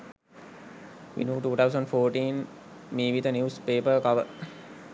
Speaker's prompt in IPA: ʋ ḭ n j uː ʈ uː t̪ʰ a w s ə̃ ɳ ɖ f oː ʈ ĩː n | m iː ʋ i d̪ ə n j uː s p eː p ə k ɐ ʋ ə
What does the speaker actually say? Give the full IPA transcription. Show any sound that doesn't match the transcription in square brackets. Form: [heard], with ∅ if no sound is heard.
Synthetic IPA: ʋ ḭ n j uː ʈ uː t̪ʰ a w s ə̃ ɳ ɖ f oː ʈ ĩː n | m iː ʋ i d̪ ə n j uː s p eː p ə k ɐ ʋ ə

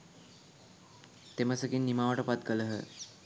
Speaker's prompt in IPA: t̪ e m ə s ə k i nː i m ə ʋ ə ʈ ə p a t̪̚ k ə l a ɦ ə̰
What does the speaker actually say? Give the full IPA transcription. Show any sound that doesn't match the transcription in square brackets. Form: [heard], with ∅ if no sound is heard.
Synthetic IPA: t̪ e m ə s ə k i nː i m [a] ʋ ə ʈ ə p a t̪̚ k ə l [ə] ɦ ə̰

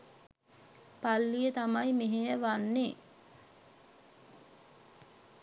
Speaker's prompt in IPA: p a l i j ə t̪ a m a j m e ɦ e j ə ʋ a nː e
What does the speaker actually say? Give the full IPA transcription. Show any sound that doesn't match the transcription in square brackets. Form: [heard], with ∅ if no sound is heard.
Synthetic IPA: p a [lː] i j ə t̪ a m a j m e ɦ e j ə ʋ a nː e

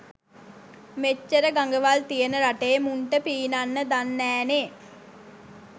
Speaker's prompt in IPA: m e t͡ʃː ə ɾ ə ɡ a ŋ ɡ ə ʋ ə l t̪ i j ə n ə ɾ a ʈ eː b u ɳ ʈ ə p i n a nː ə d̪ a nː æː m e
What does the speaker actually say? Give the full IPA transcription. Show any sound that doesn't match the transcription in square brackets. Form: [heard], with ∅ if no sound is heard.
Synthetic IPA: m e t͡ʃː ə ɾ ə ɡ a ŋ ɡ ə ʋ [a] l t̪ i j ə n ə ɾ a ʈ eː [m] u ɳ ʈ ə p [iː] n a nː ə d̪ a nː æː [n] e

